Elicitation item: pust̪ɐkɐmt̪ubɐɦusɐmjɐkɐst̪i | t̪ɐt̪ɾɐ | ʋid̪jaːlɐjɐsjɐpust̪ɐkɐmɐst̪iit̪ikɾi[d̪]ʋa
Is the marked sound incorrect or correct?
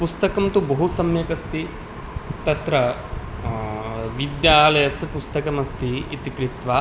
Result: incorrect